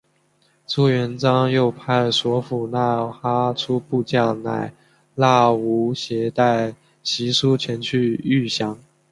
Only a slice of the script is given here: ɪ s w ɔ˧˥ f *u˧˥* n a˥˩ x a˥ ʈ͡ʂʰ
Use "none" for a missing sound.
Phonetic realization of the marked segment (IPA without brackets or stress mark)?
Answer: u˨˩